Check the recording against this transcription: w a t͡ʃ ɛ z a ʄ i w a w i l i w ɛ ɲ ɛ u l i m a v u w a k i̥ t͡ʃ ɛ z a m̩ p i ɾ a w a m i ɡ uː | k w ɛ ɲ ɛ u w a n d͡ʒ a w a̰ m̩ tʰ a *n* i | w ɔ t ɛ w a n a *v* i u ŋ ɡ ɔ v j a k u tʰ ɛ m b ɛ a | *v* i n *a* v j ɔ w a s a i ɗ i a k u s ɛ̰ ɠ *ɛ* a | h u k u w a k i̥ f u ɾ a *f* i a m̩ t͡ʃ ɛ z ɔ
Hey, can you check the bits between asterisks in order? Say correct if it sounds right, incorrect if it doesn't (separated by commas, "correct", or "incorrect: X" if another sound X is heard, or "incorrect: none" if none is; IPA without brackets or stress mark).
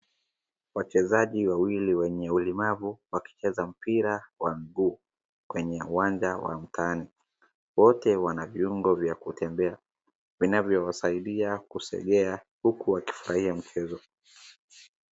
correct, correct, correct, correct, correct, incorrect: h